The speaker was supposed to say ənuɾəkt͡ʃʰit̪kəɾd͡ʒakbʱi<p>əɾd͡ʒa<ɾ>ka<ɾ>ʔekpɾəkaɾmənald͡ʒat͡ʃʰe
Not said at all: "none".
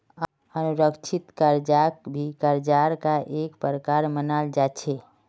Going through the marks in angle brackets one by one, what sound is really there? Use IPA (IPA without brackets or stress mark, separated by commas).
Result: k, ɾ, none